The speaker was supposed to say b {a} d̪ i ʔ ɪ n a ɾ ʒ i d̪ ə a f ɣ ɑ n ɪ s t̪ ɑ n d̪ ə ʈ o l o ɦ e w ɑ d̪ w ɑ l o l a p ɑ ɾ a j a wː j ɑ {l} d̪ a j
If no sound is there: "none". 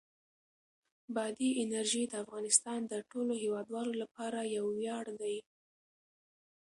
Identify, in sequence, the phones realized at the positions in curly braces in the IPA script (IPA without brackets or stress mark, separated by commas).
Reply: ɑ, ɽ